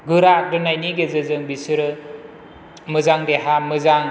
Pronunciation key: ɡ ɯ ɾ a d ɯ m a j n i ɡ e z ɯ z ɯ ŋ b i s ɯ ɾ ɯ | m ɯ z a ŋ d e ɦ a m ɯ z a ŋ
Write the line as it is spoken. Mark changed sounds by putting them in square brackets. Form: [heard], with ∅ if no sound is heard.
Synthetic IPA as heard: ɡ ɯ ɾ a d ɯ [n] a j n i ɡ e z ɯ z ɯ ŋ b i s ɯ ɾ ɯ | m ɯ z a ŋ d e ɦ a m ɯ z a ŋ